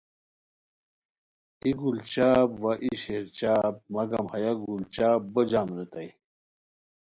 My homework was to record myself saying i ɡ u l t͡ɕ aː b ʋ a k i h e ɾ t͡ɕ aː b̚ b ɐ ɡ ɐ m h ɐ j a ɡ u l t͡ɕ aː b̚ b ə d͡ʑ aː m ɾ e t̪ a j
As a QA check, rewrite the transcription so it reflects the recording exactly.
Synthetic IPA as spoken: i ɡ u l t͡ɕ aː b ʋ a ʔ i ɕ e ɾ t͡ɕ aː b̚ m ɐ ɡ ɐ m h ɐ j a ɡ u l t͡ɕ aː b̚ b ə d͡ʑ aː m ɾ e t̪ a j